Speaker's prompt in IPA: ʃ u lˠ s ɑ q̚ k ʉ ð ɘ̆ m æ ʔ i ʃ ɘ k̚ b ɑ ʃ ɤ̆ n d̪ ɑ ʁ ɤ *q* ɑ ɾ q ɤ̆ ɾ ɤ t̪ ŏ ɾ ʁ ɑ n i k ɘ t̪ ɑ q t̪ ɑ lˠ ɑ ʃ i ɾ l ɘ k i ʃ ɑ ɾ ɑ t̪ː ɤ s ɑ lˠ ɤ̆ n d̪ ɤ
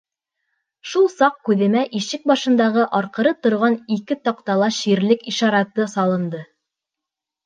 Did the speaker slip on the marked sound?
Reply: yes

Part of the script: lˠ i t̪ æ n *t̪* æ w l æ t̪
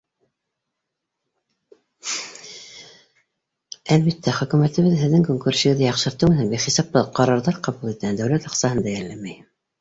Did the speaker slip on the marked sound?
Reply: yes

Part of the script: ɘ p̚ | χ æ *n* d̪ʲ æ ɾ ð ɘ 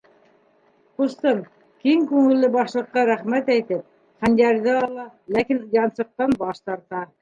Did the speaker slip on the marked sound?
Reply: no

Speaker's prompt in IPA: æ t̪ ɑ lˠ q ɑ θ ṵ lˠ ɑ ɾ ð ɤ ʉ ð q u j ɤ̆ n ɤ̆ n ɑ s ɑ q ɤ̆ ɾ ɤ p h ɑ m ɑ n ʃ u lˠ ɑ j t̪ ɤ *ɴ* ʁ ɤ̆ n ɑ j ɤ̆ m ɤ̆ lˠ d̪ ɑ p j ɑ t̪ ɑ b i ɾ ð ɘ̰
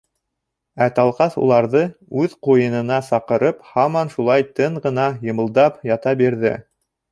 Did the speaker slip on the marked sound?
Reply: no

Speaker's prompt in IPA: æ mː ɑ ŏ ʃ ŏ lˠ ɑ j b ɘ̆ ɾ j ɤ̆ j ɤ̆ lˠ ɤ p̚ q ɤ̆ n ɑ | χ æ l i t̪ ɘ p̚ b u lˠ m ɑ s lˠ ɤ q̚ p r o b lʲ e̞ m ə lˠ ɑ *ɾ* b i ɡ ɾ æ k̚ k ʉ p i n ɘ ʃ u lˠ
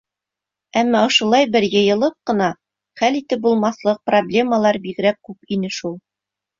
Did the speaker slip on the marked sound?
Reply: no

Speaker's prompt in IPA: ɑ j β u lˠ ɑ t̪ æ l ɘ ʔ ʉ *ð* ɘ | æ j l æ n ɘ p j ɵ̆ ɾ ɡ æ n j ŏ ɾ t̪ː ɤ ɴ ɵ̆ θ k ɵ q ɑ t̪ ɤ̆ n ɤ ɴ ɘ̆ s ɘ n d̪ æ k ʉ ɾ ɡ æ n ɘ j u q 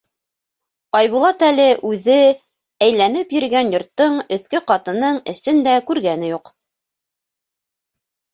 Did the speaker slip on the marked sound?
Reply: no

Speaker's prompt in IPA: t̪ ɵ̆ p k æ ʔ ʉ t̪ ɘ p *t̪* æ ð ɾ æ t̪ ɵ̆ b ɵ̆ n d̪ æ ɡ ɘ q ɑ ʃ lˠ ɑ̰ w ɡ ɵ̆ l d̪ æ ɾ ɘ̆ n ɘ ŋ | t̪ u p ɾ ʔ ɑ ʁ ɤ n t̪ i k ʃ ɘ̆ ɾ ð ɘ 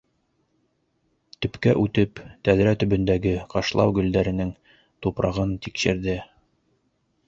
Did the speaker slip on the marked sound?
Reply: no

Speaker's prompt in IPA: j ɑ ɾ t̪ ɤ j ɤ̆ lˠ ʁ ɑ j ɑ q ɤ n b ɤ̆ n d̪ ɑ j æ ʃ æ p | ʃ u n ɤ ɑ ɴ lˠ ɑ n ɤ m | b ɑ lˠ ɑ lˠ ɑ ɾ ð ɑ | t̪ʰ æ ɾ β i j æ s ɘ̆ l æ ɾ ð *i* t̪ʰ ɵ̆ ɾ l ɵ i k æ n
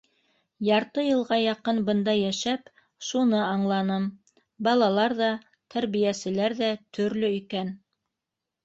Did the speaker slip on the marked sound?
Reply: yes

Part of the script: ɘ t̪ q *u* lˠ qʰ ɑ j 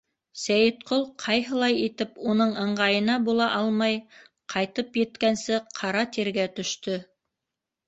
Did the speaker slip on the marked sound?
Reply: yes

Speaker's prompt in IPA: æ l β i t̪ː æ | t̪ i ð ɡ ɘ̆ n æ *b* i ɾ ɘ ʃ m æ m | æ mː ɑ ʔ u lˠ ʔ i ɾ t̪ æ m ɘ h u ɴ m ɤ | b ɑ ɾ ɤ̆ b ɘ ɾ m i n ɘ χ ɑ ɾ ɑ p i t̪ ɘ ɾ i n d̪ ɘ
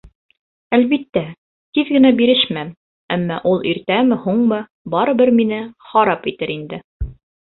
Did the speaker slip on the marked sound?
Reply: no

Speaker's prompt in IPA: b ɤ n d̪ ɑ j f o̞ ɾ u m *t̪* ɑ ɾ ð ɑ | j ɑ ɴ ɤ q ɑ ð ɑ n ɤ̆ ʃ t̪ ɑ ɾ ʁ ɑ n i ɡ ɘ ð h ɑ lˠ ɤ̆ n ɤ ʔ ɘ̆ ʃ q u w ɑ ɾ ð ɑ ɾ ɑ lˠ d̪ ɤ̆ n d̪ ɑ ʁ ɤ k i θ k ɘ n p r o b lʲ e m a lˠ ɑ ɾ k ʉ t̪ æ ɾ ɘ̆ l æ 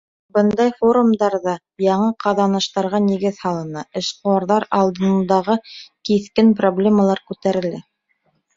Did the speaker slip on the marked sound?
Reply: yes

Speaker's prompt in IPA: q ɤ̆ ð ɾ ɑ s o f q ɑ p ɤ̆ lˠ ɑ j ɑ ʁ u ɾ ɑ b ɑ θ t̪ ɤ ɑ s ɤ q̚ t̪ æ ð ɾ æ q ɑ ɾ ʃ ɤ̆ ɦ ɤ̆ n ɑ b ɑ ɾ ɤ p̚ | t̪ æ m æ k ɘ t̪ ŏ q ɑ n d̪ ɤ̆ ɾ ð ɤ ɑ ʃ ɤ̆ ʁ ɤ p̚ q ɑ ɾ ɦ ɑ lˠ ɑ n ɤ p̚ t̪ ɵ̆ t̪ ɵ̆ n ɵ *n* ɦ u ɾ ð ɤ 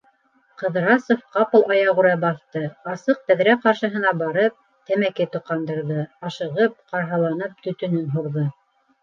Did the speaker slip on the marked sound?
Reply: no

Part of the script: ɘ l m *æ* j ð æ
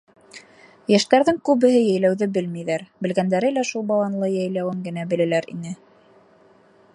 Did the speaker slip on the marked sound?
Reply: yes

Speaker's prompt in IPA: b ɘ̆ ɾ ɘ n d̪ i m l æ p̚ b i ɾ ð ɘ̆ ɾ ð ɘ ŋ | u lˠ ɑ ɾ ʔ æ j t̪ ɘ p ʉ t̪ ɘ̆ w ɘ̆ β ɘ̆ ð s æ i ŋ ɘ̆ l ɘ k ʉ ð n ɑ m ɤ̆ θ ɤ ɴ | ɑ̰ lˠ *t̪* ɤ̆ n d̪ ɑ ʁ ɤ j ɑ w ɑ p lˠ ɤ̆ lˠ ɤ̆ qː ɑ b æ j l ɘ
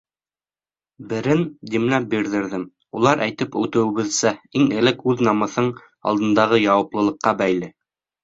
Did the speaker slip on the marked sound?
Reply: yes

